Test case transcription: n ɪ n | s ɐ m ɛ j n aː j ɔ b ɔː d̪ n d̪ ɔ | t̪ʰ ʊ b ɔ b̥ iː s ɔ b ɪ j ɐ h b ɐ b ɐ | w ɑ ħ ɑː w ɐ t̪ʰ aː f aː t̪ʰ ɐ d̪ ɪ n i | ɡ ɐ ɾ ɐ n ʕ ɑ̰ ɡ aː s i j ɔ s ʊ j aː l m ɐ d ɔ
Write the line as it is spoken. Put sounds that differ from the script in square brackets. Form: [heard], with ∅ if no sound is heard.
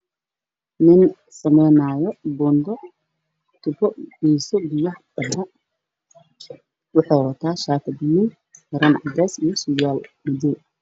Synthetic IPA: n ɪ n | s ɐ m ɛ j n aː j ɔ b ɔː [∅] n d̪ ɔ | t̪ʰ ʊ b ɔ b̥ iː s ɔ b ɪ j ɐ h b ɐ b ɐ | w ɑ ħ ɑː w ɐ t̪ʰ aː [ʃ] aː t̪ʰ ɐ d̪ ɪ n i | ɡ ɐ ɾ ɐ n ʕ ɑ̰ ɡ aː s i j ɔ s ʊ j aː l m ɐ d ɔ